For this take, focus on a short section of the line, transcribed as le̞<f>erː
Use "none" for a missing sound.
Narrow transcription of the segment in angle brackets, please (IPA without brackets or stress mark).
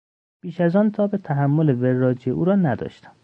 v